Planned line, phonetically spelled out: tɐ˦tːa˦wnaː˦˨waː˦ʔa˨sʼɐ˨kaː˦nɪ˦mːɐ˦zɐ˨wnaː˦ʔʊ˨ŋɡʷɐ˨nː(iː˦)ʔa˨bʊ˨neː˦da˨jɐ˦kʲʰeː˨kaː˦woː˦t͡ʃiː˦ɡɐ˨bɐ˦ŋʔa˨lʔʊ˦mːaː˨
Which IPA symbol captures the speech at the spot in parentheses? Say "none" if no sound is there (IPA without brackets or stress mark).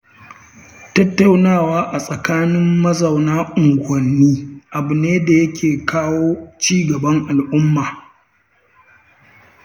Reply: iː˦